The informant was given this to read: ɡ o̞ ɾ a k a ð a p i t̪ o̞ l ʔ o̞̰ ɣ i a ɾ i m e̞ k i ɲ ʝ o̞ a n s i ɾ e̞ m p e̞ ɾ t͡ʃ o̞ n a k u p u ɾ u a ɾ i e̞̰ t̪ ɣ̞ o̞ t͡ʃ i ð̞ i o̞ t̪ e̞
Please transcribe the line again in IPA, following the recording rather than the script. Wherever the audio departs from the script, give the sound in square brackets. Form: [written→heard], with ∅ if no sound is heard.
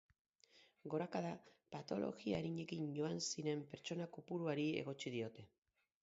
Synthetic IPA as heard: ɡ o̞ ɾ a k a ð a p [i→a] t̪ o̞ l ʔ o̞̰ ɣ i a ɾ i [m→ɲ] e̞ k i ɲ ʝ o̞ a n s i ɾ e̞ m p e̞ ɾ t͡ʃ o̞ n a k u p u ɾ u a ɾ i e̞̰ [t̪→∅] ɣ̞ o̞ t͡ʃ i ð̞ i o̞ t̪ e̞